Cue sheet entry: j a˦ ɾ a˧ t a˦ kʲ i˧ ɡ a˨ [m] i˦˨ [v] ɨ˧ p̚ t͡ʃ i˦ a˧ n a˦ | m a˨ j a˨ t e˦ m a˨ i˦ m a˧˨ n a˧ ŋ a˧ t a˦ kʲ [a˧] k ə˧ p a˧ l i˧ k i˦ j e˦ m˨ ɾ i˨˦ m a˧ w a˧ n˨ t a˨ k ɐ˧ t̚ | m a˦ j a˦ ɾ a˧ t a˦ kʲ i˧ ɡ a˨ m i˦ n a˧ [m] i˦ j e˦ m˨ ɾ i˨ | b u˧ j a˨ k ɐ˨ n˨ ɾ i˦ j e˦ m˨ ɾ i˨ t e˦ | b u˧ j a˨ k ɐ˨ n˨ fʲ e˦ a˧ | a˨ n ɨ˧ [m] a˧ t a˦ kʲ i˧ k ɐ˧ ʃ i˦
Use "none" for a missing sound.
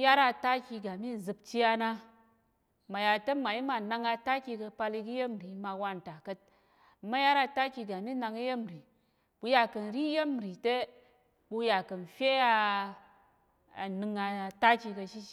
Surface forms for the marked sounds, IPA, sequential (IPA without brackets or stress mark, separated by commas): m, z, i˧, ŋ, ŋ